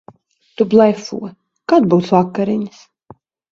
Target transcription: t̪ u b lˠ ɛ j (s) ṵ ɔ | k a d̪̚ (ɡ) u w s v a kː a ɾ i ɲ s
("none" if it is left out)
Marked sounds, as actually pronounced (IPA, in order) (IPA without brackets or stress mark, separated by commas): f, b